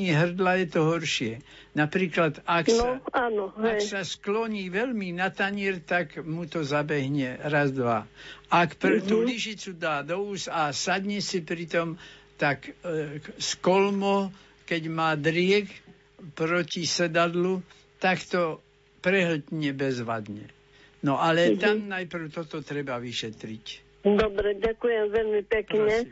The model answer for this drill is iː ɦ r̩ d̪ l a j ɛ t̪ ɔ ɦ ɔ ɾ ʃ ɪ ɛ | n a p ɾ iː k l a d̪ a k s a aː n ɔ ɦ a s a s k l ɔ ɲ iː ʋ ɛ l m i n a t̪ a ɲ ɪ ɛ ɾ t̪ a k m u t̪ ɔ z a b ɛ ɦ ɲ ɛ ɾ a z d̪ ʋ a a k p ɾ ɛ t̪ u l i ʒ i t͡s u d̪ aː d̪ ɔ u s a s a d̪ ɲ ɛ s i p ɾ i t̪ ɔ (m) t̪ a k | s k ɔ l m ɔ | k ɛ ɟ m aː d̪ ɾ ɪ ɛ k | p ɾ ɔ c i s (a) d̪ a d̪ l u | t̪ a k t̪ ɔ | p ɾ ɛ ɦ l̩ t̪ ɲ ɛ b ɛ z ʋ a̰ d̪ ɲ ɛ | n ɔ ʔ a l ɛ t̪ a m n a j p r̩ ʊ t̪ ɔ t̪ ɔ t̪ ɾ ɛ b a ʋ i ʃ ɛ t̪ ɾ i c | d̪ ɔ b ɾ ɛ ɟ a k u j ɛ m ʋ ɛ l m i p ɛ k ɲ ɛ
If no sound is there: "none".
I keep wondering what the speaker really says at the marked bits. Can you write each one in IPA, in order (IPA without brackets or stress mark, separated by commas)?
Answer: m, ɛ